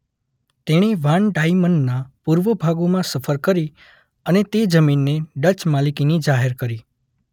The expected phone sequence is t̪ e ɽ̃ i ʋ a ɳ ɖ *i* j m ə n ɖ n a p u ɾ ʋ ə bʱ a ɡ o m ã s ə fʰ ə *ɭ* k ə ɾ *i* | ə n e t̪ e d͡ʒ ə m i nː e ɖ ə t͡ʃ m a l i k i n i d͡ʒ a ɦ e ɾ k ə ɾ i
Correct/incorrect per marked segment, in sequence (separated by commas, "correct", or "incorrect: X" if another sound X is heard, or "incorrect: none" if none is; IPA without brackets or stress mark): incorrect: a, incorrect: ɾ, correct